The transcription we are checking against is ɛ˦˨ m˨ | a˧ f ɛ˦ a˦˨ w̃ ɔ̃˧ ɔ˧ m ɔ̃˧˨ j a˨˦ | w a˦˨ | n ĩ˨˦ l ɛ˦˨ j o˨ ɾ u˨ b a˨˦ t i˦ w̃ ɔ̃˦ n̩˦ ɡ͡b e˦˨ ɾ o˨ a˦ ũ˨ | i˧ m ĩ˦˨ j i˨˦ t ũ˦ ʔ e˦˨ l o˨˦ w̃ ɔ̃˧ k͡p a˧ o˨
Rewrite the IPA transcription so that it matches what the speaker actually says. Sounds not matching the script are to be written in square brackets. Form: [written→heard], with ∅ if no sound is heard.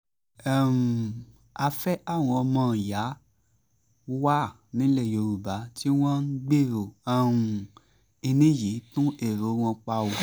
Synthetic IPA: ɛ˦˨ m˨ | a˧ f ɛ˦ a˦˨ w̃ ɔ̃˧ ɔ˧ m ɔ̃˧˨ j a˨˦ | w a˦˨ | n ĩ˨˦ l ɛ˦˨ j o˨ ɾ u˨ b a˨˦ t i˦ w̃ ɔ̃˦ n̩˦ ɡ͡b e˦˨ ɾ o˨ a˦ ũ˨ | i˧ [m→n] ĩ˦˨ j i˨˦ t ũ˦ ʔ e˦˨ [l→ɾ] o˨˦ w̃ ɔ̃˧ k͡p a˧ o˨